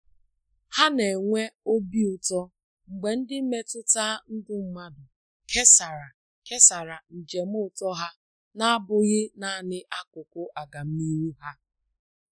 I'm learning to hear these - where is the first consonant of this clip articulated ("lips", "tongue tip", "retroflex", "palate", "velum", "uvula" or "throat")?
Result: throat